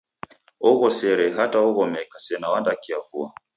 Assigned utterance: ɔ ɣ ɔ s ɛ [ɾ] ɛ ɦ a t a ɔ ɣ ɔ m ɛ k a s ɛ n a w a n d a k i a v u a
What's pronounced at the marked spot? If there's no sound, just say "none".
ɾ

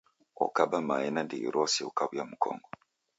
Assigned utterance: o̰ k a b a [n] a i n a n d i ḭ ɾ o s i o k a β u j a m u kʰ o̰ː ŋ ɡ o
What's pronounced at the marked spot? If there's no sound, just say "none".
m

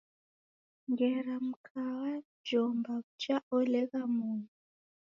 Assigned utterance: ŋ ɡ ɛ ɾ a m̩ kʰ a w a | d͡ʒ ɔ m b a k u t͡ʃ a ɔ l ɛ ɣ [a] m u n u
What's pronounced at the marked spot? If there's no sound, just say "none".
a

